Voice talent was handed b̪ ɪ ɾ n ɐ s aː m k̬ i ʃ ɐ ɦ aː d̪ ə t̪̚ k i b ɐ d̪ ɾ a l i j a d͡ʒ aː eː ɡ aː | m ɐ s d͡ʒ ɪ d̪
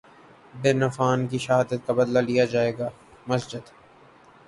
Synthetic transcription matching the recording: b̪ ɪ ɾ n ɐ f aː n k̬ i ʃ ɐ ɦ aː d̪ ə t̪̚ k a b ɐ d̪ l a l i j a d͡ʒ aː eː ɡ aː | m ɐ s d͡ʒ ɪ d̪